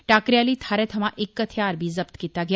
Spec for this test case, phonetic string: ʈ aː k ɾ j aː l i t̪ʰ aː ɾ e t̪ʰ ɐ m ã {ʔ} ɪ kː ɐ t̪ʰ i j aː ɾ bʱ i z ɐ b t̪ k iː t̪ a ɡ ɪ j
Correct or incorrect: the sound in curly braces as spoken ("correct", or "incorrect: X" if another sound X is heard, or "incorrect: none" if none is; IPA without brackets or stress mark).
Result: correct